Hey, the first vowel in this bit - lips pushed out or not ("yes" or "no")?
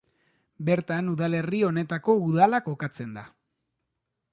no